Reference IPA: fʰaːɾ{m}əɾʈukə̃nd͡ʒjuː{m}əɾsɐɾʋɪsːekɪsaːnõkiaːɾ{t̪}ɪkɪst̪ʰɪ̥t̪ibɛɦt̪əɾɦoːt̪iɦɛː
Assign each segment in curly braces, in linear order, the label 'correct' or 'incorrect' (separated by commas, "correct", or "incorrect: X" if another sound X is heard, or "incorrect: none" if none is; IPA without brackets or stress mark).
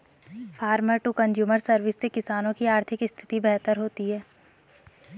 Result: correct, correct, incorrect: t̪ʰ